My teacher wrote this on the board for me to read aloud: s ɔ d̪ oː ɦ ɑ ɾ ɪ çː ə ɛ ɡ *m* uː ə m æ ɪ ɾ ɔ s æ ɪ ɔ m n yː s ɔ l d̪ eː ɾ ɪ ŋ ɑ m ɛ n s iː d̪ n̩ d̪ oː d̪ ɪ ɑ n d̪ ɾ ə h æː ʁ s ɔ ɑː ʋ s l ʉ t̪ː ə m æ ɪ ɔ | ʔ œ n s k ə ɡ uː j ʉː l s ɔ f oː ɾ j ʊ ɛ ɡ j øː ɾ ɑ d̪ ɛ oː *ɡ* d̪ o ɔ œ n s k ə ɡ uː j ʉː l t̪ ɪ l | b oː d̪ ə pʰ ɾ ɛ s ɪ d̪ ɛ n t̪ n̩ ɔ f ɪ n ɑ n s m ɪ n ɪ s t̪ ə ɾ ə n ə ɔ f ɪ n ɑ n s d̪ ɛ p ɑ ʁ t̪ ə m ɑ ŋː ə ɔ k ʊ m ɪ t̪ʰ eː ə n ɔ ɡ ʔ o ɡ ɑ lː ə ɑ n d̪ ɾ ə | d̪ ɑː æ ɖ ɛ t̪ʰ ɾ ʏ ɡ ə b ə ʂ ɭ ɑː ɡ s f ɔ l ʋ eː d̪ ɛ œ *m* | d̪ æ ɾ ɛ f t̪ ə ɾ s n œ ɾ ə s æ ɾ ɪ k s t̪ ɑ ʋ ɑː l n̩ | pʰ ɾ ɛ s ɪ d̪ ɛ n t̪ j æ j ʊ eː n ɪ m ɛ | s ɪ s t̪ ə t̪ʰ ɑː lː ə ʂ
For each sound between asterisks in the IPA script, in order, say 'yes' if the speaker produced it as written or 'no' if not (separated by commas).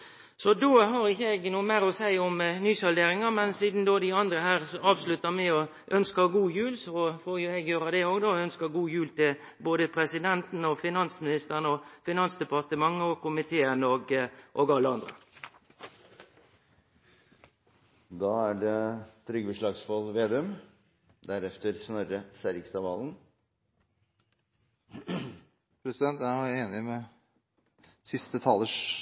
no, yes, yes